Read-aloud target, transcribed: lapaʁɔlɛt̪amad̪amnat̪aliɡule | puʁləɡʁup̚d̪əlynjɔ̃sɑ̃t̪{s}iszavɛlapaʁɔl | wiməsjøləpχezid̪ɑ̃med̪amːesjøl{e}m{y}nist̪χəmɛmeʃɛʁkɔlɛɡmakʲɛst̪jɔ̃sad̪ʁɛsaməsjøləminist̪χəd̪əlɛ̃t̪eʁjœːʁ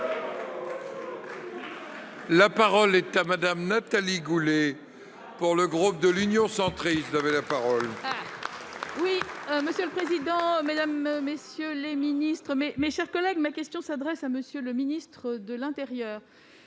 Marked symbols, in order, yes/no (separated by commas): no, yes, no